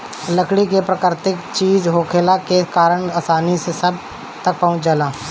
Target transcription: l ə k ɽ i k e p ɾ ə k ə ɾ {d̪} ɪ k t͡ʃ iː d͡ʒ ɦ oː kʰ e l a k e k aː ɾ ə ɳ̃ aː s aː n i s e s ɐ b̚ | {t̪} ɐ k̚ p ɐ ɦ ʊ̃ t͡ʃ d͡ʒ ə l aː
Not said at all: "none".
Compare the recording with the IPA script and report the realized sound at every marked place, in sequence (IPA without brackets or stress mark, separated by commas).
t̪, t̪